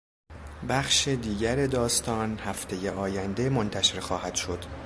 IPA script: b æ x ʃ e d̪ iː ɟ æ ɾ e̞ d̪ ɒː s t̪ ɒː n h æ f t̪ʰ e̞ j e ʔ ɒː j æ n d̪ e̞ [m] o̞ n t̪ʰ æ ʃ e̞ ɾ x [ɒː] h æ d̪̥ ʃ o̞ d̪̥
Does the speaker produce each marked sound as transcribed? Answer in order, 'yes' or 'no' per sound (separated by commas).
yes, yes